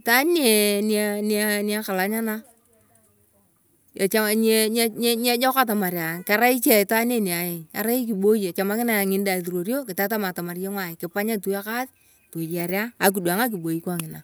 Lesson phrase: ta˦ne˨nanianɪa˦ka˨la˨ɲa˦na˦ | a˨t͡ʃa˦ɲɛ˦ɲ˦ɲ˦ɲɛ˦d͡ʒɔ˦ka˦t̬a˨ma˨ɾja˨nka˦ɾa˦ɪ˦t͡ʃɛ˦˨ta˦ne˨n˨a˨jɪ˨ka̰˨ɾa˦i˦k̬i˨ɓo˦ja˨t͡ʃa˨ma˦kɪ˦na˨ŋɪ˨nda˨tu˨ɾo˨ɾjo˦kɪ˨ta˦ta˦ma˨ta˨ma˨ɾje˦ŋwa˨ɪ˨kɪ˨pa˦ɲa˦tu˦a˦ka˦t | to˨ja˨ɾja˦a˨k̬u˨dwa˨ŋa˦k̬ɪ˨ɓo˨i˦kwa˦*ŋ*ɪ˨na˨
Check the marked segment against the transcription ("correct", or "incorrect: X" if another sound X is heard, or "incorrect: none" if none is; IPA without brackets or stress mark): correct